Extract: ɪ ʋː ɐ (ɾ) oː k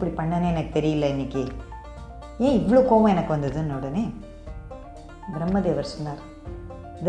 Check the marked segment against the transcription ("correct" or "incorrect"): incorrect